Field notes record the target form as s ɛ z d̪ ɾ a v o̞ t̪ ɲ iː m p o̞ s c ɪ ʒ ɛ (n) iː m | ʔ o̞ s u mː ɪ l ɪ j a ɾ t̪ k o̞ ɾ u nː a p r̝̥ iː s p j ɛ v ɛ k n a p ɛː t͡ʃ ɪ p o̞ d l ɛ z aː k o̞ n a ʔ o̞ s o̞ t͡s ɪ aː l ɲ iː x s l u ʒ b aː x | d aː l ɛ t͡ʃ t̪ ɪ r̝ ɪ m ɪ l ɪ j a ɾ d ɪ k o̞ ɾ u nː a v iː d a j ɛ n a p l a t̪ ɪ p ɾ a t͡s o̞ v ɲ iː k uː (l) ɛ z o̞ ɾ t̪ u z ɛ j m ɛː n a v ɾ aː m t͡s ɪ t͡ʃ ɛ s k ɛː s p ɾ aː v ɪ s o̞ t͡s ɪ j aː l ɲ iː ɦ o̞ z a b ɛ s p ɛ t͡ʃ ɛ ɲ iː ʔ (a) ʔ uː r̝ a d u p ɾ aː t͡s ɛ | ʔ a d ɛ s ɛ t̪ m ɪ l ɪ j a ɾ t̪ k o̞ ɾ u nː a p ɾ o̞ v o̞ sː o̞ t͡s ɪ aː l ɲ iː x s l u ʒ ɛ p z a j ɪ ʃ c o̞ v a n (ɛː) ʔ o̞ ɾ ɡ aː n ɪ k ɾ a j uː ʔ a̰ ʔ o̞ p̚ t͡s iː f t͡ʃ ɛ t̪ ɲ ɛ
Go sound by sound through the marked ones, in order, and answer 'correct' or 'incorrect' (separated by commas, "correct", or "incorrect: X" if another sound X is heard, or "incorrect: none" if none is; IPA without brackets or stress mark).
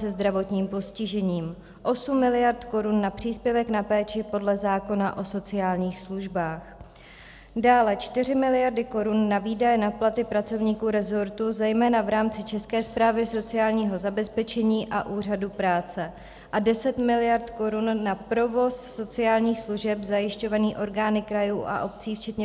incorrect: ɲ, incorrect: ɾ, correct, incorrect: iː